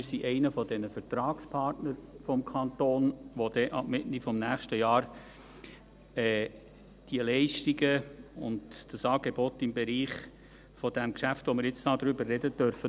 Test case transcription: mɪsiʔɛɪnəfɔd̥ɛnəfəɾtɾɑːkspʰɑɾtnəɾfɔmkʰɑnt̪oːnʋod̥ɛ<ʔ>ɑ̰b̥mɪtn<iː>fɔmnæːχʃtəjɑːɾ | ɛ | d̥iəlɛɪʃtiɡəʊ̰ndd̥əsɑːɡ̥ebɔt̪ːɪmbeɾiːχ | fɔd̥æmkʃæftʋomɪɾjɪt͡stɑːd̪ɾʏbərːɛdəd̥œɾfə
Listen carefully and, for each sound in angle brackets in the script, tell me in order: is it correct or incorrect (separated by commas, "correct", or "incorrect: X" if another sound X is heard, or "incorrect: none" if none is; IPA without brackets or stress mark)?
correct, incorrect: i